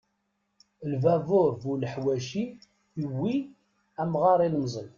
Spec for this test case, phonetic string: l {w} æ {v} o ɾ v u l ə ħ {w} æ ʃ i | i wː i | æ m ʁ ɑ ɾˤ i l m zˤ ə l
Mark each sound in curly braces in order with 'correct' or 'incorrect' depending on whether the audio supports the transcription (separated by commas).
incorrect, correct, correct